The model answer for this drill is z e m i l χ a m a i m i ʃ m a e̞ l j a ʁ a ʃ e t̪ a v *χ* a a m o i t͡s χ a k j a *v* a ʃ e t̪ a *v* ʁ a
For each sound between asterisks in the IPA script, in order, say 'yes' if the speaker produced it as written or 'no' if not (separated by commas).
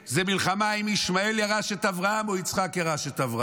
no, no, yes